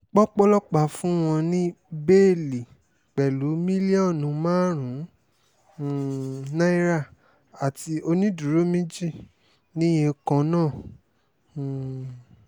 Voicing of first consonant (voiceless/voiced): voiceless